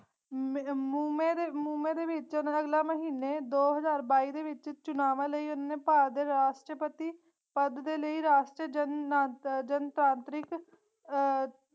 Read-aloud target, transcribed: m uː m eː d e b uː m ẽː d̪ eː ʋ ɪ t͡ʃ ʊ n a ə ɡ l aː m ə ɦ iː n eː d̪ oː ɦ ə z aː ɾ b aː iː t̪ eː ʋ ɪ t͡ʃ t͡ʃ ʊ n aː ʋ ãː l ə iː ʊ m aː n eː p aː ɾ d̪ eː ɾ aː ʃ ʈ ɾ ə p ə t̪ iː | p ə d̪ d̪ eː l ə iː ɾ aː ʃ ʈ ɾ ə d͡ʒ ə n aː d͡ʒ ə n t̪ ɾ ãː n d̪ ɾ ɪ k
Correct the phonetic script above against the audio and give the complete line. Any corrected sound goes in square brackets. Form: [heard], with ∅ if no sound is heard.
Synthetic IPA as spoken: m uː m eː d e [m] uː m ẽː d̪ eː ʋ ɪ t͡ʃ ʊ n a ə ɡ l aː m ə ɦ iː n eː d̪ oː ɦ ə z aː ɾ b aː iː [d̪] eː ʋ ɪ t͡ʃ t͡ʃ ʊ n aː ʋ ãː l ə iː ʊ [n] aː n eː p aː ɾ d̪ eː ɾ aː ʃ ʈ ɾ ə p ə t̪ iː | p ə d̪ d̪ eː l ə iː ɾ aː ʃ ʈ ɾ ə d͡ʒ ə n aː d͡ʒ ə n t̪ ɾ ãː n [t̪] ɾ ɪ k